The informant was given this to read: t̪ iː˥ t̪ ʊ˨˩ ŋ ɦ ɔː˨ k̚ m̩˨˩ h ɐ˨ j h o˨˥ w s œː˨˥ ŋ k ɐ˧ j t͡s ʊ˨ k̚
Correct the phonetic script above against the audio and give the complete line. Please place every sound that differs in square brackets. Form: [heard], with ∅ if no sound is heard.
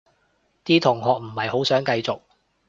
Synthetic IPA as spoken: t̪ iː˥ [t̪ʰ] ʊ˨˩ ŋ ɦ ɔː˨ k̚ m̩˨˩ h ɐ˨ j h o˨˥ w s œː˨˥ ŋ k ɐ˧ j t͡s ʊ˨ k̚